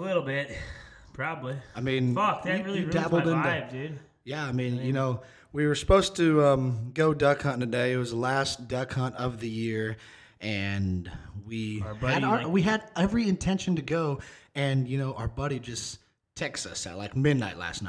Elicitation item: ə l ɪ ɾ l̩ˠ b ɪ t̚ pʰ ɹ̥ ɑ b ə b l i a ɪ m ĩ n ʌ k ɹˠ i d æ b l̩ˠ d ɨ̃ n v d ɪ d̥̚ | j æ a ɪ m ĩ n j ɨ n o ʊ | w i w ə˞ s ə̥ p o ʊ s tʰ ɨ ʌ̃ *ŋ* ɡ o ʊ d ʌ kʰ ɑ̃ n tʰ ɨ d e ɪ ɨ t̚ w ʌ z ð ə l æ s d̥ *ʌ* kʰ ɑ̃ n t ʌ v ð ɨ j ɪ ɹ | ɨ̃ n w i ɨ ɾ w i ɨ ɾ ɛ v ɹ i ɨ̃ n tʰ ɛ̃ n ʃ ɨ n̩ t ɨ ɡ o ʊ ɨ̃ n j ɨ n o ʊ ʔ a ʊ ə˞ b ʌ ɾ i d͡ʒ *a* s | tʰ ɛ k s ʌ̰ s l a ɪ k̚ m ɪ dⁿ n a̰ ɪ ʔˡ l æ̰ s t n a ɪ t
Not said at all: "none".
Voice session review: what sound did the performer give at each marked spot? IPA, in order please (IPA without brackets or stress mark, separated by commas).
m, ʌ, ʌ